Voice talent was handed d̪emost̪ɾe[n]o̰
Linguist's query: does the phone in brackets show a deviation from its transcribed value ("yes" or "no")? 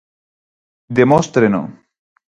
no